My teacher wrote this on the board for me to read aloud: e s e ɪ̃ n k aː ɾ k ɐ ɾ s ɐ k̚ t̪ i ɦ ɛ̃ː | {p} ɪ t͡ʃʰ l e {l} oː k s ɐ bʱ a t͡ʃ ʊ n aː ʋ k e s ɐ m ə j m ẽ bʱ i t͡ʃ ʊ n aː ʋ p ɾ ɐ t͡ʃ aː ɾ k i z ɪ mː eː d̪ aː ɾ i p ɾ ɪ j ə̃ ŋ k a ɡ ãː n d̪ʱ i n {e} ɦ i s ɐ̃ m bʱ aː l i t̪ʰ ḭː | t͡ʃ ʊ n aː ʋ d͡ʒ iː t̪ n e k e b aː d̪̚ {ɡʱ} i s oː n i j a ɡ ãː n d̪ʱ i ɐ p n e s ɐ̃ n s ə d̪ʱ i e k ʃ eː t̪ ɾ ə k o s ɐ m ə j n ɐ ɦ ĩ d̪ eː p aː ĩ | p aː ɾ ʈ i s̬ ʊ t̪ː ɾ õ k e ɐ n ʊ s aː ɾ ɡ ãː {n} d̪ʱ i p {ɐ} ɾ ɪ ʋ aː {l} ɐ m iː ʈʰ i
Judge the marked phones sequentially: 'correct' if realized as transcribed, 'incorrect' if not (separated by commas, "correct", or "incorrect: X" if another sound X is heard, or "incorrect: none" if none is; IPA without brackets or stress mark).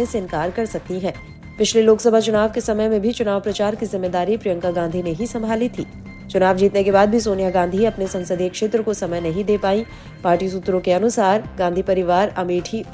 correct, correct, correct, incorrect: bʱ, correct, correct, incorrect: ɾ